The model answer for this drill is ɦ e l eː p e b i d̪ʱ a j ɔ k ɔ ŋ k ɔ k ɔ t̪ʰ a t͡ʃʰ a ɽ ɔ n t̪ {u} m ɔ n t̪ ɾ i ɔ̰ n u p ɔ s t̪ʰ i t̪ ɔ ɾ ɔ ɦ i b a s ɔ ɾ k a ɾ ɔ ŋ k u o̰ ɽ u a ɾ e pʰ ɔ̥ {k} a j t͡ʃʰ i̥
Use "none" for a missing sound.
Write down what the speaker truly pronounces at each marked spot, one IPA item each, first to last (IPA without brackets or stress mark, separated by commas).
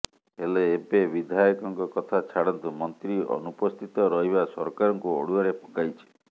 u, k